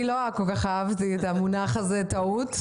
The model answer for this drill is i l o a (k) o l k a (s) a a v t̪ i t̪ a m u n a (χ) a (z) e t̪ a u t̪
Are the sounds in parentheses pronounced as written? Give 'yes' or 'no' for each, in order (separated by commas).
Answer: yes, no, yes, yes